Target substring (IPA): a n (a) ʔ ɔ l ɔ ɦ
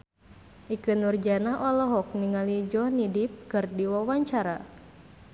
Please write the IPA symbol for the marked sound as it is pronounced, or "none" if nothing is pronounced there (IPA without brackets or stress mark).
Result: a